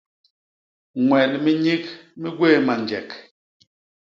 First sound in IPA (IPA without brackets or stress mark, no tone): ŋ